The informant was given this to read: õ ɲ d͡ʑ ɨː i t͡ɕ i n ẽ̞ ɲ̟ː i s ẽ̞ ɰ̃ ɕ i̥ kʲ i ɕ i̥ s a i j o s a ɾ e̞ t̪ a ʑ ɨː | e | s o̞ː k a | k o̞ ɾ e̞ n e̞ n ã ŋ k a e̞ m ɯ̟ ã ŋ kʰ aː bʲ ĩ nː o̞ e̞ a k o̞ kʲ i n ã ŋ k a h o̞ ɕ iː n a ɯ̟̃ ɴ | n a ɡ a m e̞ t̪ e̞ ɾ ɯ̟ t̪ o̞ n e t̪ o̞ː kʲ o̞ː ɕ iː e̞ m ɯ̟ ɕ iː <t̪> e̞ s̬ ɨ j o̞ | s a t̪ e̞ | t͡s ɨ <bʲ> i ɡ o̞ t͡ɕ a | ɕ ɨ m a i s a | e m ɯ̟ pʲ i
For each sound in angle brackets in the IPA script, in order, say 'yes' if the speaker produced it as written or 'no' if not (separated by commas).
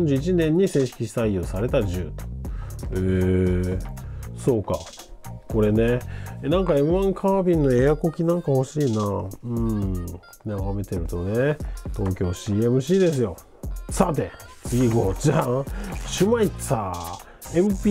no, no